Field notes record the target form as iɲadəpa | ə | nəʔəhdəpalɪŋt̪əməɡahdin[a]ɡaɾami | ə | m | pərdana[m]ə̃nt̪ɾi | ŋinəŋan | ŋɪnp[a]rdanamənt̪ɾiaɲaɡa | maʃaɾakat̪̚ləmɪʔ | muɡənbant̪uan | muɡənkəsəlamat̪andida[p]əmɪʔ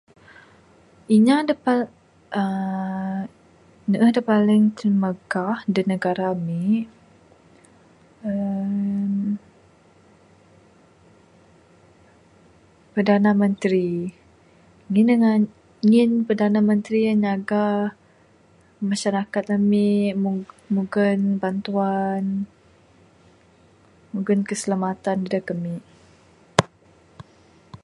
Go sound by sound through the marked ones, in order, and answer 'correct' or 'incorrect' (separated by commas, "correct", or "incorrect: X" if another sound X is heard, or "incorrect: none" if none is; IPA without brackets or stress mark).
incorrect: ə, correct, incorrect: ə, incorrect: k